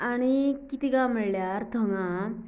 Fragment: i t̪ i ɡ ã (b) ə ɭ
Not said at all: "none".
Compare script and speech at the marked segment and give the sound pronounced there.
m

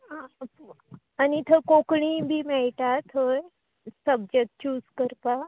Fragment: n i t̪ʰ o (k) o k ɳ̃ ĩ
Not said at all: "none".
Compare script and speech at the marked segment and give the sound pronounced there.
k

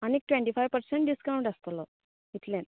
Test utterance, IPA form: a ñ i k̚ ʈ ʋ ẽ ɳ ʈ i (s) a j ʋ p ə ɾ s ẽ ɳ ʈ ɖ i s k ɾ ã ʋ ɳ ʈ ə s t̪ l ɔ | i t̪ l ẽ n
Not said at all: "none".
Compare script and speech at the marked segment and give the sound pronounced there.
f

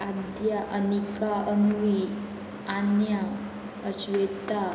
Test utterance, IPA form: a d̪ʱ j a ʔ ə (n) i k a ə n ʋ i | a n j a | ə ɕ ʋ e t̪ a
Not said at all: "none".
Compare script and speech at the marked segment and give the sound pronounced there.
n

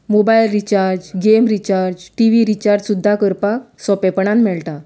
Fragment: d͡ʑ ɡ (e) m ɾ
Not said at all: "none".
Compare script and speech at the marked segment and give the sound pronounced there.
e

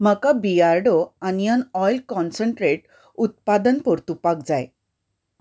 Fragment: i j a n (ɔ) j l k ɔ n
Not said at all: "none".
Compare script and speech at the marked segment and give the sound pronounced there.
ɔ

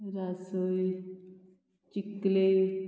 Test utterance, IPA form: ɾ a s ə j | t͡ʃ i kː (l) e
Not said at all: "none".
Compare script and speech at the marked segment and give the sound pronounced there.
l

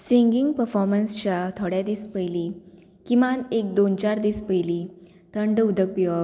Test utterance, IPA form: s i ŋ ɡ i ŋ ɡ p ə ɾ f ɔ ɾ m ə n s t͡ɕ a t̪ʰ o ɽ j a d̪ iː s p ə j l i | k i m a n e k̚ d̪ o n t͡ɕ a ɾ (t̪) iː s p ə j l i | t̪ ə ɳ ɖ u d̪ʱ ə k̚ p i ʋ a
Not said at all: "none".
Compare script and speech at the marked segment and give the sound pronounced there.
d̪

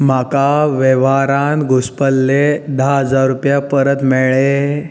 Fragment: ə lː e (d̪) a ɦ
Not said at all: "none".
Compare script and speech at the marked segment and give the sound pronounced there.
d̪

